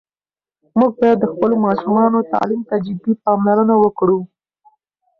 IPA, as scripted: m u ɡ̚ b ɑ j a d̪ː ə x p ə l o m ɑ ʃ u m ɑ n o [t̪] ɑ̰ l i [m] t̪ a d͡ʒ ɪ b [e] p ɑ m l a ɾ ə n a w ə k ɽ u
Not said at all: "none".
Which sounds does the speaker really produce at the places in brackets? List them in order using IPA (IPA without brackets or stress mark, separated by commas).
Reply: t̪, m, i